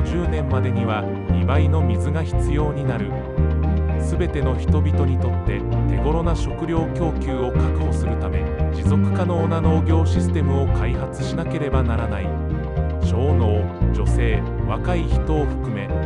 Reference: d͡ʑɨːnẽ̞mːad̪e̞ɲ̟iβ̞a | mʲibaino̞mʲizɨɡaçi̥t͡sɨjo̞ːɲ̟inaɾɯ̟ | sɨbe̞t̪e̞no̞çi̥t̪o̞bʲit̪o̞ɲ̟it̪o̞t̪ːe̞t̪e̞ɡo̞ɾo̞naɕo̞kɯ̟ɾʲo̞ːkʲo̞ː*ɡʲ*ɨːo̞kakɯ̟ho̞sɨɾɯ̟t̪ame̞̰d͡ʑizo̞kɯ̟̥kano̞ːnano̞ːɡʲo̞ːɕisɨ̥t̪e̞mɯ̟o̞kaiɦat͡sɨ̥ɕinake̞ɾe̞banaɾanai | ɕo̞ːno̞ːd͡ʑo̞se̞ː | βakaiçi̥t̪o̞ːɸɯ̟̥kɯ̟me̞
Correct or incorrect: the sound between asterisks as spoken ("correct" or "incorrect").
incorrect